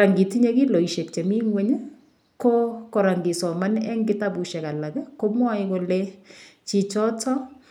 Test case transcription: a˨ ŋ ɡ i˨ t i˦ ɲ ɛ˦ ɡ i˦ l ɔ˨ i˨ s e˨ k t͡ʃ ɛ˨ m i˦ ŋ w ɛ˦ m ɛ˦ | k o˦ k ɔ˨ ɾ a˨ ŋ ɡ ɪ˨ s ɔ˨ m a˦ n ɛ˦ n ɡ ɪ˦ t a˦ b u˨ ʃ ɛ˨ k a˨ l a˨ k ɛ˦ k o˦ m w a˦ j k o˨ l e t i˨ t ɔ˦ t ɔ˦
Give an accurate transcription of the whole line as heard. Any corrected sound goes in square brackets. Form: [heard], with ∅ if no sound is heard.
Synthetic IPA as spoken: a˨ ŋ ɡ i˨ t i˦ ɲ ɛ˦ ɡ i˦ l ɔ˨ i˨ [ʃ] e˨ k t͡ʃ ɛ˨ m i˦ ŋ w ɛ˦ [ɲ] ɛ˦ | k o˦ k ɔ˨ ɾ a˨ ŋ ɡ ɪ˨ s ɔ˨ m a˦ n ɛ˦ [ŋ] ɡ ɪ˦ t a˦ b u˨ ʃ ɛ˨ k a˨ l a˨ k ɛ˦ k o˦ m w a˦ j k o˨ l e [t͡ʃ] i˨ [t͡ʃ] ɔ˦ t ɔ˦